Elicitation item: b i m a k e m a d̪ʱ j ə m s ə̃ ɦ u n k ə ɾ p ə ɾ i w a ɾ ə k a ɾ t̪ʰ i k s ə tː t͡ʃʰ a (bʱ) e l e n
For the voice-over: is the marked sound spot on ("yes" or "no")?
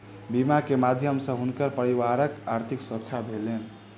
yes